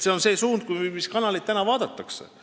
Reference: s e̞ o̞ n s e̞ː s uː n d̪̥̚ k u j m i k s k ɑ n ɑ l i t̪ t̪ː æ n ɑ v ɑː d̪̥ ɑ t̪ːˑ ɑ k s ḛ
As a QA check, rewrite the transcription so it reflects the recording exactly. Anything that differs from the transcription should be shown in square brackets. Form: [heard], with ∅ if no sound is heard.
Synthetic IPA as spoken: s e̞ o̞ n s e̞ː s uː n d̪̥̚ k u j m i [∅] s k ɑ n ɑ l i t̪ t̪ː æ n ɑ v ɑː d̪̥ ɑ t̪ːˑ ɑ k s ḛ